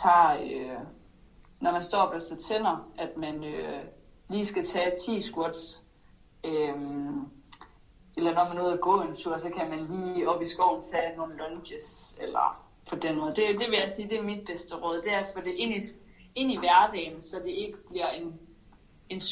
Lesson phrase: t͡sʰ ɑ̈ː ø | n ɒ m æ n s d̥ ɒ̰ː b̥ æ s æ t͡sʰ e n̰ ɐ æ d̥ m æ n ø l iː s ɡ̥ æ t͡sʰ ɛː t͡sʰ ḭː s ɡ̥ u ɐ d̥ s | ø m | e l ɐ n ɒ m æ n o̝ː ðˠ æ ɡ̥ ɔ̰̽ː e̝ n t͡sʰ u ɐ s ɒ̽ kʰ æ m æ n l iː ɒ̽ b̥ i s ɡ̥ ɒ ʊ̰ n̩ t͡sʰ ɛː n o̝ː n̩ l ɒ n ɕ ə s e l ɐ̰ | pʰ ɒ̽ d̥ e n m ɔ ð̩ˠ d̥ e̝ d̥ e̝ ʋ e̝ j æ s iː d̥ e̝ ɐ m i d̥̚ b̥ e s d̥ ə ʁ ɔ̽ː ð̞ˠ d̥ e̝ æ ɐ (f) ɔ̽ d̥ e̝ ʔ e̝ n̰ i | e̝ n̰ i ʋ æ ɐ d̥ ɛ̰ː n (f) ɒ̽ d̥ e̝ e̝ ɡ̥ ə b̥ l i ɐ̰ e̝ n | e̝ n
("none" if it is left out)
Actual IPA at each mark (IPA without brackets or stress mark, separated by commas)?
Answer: f, s